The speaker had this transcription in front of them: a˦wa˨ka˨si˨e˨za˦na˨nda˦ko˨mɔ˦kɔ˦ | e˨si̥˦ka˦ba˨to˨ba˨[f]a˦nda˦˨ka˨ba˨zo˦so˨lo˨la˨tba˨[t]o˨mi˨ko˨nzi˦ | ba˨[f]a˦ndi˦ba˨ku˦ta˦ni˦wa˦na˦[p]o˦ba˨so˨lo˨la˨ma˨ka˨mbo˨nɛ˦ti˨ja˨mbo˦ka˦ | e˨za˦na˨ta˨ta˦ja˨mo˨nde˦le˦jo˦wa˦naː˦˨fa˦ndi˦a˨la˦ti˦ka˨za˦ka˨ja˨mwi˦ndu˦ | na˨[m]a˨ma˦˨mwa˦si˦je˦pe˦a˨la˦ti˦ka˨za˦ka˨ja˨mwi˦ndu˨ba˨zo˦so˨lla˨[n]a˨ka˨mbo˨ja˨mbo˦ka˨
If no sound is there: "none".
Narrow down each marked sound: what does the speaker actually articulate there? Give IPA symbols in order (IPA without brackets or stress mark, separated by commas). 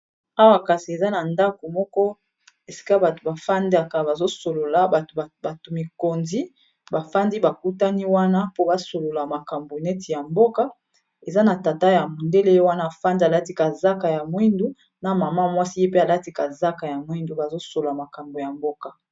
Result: f, t, f, p, m, m